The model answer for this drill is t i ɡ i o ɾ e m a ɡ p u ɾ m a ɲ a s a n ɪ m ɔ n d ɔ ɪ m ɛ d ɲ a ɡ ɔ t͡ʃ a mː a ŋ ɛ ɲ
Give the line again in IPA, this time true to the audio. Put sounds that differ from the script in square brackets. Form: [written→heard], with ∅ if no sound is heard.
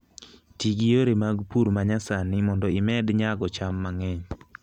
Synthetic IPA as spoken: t i ɡ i o ɾ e m a ɡ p u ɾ m a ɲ a s a n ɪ m ɔ n d ɔ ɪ m ɛ d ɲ a ɡ ɔ t͡ʃ a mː a ŋ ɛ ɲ